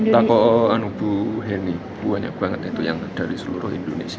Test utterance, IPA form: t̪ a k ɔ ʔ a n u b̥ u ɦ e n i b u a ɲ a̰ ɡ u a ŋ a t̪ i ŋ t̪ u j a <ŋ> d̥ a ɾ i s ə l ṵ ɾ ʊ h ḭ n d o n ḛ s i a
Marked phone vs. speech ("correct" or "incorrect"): correct